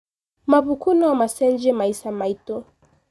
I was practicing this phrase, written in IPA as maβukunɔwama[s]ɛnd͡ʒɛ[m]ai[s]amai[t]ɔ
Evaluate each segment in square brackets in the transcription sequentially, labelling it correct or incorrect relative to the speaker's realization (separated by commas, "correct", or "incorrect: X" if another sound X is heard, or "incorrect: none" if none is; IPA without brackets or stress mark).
correct, correct, correct, correct